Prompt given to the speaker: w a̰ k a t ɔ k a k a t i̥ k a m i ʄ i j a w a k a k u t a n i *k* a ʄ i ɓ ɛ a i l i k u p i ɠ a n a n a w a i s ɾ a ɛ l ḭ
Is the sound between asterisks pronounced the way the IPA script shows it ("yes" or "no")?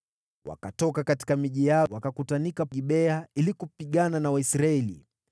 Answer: yes